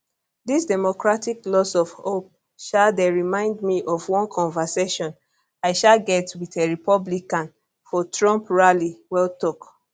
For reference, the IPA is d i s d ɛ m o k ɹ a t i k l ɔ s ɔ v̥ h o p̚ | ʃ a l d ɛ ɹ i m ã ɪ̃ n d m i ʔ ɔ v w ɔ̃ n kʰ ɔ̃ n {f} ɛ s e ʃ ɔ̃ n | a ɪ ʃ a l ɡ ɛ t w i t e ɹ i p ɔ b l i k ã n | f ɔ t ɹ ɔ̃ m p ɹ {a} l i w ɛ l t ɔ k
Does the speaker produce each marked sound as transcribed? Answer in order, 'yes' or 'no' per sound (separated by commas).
no, yes